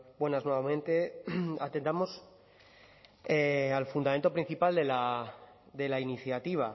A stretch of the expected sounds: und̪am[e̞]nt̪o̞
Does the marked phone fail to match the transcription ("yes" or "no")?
no